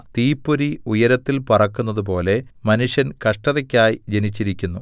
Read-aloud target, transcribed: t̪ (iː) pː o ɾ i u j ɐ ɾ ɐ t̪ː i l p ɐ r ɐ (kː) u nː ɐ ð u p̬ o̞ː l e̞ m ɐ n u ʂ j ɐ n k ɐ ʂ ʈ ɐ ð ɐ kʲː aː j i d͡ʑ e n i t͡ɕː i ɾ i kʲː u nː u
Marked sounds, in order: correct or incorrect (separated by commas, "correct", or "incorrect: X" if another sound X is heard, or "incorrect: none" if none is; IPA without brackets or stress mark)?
correct, correct